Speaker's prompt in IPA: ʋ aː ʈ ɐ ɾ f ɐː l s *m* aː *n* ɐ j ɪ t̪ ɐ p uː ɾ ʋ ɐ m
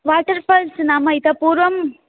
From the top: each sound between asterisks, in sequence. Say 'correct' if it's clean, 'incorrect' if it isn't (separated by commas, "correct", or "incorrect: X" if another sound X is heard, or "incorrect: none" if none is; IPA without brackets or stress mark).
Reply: incorrect: n, incorrect: m